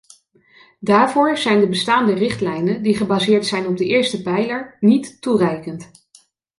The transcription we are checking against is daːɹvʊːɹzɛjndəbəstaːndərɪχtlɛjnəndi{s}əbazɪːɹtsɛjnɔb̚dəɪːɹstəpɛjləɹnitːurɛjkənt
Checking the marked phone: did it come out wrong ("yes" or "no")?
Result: yes